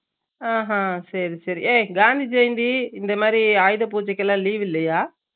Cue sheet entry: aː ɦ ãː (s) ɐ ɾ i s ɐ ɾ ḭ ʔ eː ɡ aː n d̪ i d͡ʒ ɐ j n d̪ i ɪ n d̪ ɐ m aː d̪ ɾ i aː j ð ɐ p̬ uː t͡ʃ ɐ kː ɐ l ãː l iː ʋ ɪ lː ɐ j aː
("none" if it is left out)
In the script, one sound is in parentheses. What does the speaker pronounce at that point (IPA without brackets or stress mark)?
s